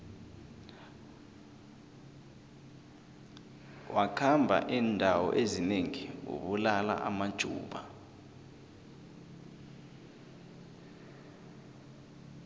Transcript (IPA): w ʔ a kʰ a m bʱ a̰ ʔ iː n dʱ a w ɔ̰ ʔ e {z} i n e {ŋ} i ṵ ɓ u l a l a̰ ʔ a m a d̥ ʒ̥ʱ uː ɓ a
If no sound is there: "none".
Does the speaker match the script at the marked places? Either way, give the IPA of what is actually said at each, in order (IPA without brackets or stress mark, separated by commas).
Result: z, ŋ